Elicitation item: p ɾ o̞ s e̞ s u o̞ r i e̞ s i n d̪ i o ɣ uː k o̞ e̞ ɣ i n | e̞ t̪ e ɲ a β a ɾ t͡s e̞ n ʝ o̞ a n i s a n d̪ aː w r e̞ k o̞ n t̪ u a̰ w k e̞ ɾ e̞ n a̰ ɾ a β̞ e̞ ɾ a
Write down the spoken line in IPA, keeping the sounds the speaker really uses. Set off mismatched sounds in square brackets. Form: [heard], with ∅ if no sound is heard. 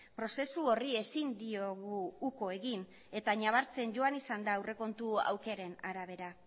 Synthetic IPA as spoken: p ɾ o̞ s e̞ s u o̞ r i e̞ s i n d̪ i o ɣ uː k o̞ e̞ ɣ i n | e̞ t̪ [a] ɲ a β a ɾ t͡s e̞ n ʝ o̞ a n i s a n d̪ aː w r e̞ k o̞ n t̪ u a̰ w k e̞ ɾ e̞ n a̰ ɾ a β̞ e̞ ɾ a

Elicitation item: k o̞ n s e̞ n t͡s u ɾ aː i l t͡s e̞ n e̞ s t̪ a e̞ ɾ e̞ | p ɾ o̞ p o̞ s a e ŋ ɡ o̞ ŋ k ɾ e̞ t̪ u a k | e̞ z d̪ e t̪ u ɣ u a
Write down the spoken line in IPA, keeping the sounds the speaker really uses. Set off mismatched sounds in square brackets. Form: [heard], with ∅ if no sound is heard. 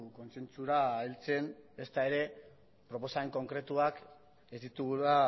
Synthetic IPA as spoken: k o̞ n s e̞ n t͡s u ɾ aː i l t͡s e̞ n e̞ s t̪ a e̞ ɾ e̞ | p ɾ o̞ p o̞ s a e ŋ [k] o̞ ŋ k ɾ e̞ t̪ u a k | e̞ z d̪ [i] t̪ u ɣ u a

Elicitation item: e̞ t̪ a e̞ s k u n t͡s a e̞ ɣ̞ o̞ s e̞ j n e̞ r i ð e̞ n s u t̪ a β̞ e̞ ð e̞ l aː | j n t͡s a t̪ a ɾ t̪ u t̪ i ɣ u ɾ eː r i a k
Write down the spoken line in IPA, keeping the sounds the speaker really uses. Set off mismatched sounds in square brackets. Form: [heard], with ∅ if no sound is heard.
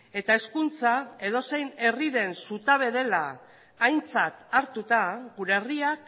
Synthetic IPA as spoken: e̞ t̪ a e̞ s k u n t͡s a e̞ [ð̞] o̞ s e̞ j n e̞ r i ð e̞ n s u t̪ a β̞ e̞ ð e̞ l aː | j n t͡s a t̪ a ɾ t̪ u t̪ [a] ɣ u ɾ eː r i a k

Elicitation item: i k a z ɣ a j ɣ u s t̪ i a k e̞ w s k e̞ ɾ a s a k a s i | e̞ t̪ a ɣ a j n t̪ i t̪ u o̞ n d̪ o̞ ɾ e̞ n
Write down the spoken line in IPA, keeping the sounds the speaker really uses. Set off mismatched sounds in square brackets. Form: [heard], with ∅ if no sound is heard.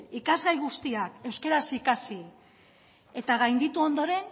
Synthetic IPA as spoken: i k a z ɣ a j ɣ u s t̪ i a k e̞ w s k e̞ ɾ a s [i] k a s i | e̞ t̪ a ɣ a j n [d̪] i t̪ u o̞ n d̪ o̞ ɾ e̞ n

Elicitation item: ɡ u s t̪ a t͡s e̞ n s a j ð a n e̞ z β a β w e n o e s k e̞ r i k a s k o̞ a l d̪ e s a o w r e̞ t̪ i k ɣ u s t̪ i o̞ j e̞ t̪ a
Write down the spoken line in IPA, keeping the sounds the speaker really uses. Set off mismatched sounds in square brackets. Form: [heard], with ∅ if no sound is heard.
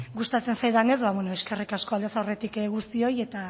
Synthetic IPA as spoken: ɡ u s t̪ a t͡s e̞ n s a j ð a n e̞ z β a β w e n o e s k e̞ r i k a s k o̞ a l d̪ e s a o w r e̞ t̪ i k ɣ u s t̪ i o̞ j e̞ t̪ a

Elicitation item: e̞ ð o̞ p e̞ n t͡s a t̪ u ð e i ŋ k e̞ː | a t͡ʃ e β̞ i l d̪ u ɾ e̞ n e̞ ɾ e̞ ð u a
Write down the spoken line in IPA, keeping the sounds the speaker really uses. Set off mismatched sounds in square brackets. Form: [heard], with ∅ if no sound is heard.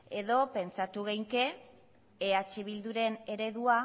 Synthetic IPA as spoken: e̞ ð o̞ p e̞ n t͡s a t̪ u [ɣ] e [j] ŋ k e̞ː | a t͡ʃ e β̞ i l d̪ u ɾ e̞ n e̞ ɾ e̞ ð u a

